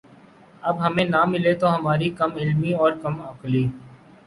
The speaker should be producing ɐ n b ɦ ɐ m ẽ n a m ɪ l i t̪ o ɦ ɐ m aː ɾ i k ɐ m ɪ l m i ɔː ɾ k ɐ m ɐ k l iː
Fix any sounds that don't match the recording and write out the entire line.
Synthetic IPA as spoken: ɐ b ɦ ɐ m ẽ n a m ɪ l e t̪ o ɦ ɐ m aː ɾ i k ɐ m ɪ l m i ɔː ɾ k ɐ m ɐ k l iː